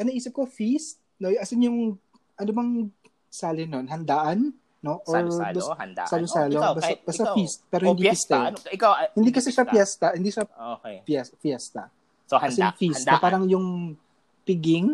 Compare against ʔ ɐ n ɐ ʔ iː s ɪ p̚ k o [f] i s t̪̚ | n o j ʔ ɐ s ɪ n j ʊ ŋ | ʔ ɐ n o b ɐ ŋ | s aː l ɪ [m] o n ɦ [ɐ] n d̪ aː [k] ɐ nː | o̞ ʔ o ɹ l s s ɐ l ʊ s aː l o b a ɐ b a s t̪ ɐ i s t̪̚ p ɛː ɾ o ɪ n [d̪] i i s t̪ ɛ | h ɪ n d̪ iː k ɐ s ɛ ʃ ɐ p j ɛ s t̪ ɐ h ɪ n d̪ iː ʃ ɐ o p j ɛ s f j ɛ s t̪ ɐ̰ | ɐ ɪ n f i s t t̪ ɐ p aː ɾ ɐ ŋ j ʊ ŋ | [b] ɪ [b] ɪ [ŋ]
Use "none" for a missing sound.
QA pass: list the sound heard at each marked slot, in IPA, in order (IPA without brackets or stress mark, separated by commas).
f, n, ɐ, ʔ, d̪, p, ɡ, ŋ